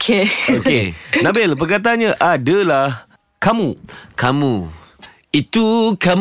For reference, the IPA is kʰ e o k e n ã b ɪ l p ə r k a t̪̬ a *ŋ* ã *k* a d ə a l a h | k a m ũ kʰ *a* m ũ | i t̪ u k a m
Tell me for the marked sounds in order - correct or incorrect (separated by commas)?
incorrect, incorrect, correct